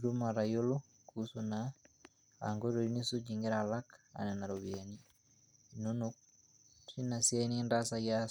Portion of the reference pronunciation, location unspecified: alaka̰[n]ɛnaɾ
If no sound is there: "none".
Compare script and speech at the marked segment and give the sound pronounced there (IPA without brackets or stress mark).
n